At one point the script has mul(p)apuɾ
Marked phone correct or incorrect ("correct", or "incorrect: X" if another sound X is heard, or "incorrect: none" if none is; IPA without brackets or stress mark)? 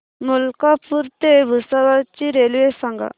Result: incorrect: k